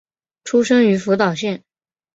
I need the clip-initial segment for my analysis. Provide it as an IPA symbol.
ʈ͡ʂʰ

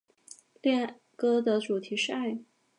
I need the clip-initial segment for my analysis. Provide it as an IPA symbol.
l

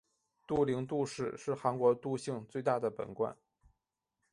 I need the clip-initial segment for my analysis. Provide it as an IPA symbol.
t̪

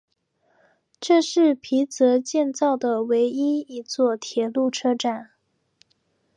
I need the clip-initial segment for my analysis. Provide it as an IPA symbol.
ʈ͡ʂ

